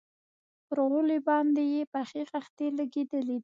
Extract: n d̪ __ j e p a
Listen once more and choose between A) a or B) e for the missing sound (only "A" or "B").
B